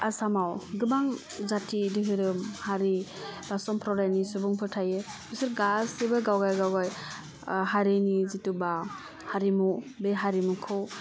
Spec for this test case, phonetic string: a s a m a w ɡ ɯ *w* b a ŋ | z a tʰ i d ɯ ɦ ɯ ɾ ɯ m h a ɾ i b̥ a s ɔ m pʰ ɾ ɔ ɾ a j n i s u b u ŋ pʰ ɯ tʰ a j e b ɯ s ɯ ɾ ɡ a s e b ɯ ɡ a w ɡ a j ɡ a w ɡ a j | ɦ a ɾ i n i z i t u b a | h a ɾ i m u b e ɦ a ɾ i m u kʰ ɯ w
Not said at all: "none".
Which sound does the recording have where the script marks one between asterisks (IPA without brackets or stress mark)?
none